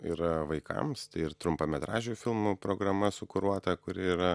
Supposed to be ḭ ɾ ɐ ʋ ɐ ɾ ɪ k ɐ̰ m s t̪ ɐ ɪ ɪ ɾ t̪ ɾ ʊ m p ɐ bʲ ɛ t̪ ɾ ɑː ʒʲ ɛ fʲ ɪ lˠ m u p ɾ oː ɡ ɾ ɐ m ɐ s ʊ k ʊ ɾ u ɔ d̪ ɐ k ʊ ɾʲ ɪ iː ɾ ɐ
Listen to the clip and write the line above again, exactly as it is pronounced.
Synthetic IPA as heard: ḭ ɾ ɐ ʋ ɐ ɪ k ɐ̰ m s t̪ ɐ ɪ ɪ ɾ t̪ ɾ ʊ m p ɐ mʲ ɛ t̪ ɾ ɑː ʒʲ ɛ fʲ ɪ lˠ m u p ɾ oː ɡ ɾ ɐ m ɐ s ʊ k ʊ ɾ u ɔ t̪ ɐ k ʊ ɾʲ ɪ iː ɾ ɐ